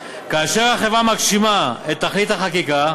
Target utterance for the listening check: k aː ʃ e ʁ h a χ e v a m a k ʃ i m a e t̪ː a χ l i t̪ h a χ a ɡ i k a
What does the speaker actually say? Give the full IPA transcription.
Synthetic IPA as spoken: k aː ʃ e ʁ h a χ e v a m a k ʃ i m a e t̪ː a χ l i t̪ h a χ a k i k a